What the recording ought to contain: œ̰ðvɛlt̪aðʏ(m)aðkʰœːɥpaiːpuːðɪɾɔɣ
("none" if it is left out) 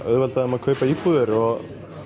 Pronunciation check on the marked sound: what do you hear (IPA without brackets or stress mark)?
m